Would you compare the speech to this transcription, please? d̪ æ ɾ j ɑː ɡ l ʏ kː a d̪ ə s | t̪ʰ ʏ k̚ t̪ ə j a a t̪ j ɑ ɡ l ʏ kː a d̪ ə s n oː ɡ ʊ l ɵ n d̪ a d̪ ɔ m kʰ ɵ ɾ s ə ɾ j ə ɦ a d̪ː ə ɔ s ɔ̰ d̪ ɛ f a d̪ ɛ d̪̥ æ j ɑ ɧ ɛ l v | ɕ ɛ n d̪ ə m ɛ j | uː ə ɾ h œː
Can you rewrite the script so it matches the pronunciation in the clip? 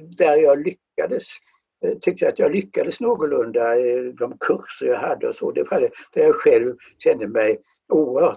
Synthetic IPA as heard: d̪ æ ɾ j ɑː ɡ l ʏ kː a d̪ ə s | t̪ʰ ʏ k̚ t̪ ə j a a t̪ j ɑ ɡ l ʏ kː a d̪ ə s n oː ɡ ʊ l ɵ n d̪ a d̪ ɔ m kʰ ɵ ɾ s ə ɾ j ɑ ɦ a d̪ː ə ɔ s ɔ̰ d̪ ɛ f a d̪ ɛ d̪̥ æ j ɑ ɧ ɛ l v | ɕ ɛ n d̪ ə m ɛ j | uː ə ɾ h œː